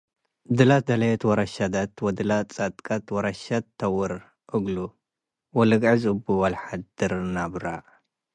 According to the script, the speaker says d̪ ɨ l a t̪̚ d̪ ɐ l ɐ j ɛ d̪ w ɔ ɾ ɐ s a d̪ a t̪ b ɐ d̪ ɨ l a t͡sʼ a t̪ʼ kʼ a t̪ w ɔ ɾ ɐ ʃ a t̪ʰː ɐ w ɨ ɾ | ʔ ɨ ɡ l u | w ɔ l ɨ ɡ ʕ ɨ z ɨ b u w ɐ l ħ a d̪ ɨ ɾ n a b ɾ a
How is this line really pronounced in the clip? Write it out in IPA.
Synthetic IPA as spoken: d̪ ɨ l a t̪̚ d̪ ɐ l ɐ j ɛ t̪ w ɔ ɾ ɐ ʃ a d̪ a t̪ w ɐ d̪ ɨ l a t͡sʼ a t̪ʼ kʼ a t̪ w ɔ ɾ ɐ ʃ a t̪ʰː ɐ w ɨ ɾ | ʔ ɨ ɡ l u | w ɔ l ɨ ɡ ʕ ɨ z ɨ b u w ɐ l ħ a d̪ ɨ ɾ n a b ɾ a